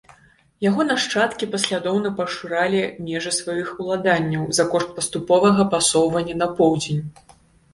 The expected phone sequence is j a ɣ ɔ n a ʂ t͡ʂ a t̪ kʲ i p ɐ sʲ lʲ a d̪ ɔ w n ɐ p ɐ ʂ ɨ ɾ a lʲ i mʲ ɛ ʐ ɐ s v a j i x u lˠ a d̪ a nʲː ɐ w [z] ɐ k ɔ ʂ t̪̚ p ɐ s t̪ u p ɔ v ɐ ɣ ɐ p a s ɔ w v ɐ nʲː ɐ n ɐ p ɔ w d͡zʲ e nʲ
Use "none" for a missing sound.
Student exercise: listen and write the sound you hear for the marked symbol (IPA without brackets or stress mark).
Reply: z